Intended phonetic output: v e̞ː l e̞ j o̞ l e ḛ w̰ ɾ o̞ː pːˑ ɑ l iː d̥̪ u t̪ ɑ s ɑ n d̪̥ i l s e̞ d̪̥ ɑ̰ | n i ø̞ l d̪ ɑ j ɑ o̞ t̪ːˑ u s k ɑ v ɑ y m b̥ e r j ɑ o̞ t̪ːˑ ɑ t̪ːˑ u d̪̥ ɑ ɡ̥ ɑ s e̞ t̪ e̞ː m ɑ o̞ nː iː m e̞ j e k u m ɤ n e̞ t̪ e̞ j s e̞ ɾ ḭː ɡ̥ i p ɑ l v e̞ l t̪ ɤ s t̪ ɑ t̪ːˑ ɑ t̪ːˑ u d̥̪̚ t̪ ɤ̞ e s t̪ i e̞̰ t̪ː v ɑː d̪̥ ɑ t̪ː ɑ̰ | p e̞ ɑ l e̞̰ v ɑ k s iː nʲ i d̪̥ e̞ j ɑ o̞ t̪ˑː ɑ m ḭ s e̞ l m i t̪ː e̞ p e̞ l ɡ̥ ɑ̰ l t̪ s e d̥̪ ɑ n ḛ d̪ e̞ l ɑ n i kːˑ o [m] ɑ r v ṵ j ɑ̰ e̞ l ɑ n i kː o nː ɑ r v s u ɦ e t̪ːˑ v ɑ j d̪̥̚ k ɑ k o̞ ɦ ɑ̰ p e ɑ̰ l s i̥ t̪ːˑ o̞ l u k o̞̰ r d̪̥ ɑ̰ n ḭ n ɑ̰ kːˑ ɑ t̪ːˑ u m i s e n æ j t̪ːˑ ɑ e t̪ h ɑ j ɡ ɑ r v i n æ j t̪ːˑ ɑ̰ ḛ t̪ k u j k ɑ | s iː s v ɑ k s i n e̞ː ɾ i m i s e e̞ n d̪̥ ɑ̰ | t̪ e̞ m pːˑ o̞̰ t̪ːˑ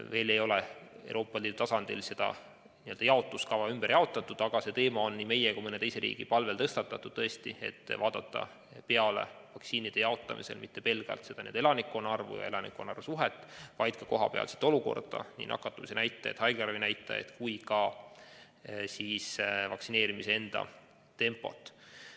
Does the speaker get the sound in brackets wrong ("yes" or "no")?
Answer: yes